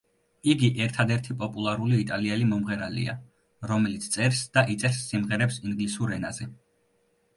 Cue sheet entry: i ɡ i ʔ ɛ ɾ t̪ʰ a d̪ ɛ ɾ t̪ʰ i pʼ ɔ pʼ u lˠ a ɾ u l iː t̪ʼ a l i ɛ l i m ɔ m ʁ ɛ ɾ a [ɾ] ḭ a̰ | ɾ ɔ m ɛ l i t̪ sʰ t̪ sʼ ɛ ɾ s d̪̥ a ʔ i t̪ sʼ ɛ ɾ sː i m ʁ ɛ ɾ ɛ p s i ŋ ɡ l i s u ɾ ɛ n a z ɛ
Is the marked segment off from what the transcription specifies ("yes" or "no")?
yes